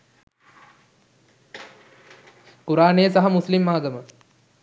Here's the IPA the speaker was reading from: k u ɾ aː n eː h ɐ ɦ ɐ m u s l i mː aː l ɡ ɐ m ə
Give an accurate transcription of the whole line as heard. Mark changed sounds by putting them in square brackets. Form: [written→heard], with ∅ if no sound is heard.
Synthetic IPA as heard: k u ɾ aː n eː [h→s] ɐ ɦ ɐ m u s l i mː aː [l→∅] ɡ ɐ m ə